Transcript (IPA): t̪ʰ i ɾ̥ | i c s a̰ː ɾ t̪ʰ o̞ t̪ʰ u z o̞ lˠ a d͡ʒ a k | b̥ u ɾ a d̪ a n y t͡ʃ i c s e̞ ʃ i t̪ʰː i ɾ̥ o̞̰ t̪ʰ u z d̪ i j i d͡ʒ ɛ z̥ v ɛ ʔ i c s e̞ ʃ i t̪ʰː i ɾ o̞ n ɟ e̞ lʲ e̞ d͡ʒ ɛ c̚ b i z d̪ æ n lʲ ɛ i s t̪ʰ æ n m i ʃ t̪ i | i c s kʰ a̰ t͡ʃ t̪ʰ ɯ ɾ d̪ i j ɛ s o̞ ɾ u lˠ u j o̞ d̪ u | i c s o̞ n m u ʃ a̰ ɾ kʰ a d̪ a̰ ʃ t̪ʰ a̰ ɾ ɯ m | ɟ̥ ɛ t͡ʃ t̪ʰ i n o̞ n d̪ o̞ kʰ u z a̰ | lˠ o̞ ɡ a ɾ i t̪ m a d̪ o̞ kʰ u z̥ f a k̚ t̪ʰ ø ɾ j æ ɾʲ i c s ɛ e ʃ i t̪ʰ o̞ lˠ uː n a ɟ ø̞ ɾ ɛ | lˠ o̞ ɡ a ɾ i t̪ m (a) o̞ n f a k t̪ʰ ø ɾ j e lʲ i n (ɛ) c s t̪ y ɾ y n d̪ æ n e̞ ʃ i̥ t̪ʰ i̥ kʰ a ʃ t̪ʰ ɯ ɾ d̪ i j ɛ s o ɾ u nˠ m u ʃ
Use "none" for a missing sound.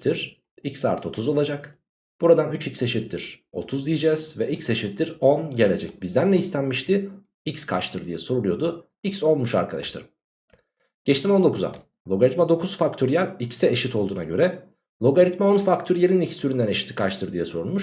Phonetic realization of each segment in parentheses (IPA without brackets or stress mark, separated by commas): a, i